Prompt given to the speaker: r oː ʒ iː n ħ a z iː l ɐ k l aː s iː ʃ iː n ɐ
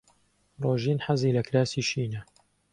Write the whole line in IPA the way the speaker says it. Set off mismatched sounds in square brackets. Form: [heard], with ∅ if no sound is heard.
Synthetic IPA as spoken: r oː ʒ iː n ħ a z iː l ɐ k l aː s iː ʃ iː n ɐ